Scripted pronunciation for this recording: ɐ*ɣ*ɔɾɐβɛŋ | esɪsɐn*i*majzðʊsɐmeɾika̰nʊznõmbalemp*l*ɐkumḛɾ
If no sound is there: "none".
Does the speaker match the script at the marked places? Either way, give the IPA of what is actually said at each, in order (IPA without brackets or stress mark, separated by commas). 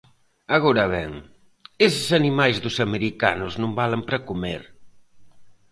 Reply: ɣ, i, ɾ